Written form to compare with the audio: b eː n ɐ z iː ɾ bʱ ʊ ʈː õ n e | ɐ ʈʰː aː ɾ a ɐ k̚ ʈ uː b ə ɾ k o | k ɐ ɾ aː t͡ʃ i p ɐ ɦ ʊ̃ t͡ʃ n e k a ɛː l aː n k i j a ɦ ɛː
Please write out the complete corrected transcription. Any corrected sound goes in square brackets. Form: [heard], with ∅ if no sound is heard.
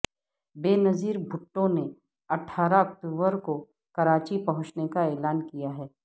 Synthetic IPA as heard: b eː n ɐ z iː ɾ bʱ ʊ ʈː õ n e | ɐ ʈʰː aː ɾ a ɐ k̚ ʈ uː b ə ɾ k o | k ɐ ɾ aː t͡ʃ i p ɐ ɦ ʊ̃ t͡ʃ n e k a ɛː l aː n k i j a ɦ ɛː